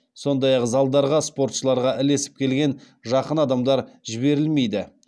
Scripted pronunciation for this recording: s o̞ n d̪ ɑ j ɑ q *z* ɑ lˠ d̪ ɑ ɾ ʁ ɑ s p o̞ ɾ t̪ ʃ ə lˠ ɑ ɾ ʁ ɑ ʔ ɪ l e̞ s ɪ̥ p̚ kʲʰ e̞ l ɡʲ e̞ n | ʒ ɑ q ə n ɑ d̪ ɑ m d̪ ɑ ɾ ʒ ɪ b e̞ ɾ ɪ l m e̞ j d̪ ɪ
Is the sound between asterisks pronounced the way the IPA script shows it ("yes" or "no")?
yes